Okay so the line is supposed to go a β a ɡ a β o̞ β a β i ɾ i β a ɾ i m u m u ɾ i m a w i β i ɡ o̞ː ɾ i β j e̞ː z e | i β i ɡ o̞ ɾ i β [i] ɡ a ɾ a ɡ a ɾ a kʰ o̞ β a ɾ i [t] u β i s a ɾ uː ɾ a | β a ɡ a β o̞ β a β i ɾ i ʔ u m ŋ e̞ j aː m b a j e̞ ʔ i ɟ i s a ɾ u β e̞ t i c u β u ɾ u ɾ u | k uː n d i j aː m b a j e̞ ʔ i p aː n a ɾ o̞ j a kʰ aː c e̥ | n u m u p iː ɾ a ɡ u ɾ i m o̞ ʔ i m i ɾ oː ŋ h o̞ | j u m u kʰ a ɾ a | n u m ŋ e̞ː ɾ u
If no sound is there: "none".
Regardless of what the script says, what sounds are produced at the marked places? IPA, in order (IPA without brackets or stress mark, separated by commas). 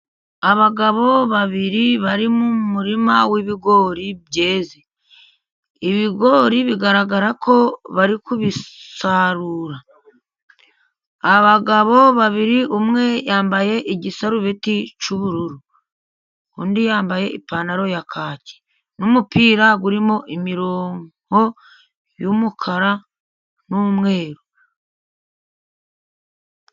i, k